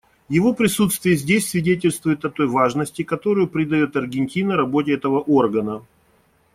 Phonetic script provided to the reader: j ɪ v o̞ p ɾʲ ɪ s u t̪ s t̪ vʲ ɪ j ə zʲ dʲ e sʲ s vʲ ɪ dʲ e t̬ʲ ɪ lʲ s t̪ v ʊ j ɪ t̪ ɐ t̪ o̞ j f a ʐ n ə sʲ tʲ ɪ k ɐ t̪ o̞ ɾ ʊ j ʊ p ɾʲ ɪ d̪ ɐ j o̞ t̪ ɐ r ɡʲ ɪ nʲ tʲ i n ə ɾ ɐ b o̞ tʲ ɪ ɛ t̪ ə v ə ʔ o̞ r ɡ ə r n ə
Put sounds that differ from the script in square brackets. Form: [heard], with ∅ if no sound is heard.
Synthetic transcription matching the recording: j ɪ v o̞ p ɾʲ ɪ s u t̪ s t̪ vʲ ɪ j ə zʲ dʲ e sʲ s vʲ ɪ dʲ e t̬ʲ ɪ lʲ s t̪ v ʊ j ɪ t̪ ɐ t̪ o̞ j [v] a ʐ n ə sʲ tʲ ɪ k ɐ t̪ o̞ ɾ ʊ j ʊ p ɾʲ ɪ d̪ ɐ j o̞ t̪ ɐ r ɡʲ ɪ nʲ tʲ i n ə ɾ ɐ b o̞ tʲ ɪ ɛ t̪ ə v ə ʔ o̞ r ɡ ə [∅] n ə